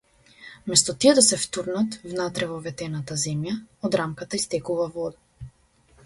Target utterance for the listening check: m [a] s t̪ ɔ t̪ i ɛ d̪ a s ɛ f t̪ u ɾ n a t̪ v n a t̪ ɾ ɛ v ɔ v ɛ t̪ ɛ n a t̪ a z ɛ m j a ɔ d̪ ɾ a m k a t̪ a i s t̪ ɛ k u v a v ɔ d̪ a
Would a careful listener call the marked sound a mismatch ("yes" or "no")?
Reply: yes